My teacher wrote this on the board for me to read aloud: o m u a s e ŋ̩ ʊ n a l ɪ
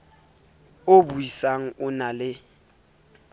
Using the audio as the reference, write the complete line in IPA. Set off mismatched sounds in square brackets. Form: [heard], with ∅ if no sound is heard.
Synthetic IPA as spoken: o [b] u [i] s [a] ŋ̩ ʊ n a l ɪ